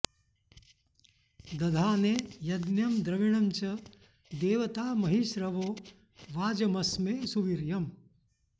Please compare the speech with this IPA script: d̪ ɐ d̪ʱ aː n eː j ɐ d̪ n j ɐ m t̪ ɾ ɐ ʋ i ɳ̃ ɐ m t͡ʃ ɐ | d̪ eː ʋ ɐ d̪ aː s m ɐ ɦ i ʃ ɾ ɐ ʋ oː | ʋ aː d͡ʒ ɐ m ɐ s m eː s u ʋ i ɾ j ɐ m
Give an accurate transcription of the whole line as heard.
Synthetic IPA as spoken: d̪ ɐ d̪ʱ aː n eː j ɐ d̪ n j ɐ m d̪ ɾ ɐ ʋ i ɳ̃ ɐ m t͡ʃ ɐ | d̪ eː ʋ ɐ t̪ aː m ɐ ɦ i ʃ ɾ ɐ ʋ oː | ʋ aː d͡ʒ ɐ m ɐ s m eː s u ʋ i ɾ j ɐ m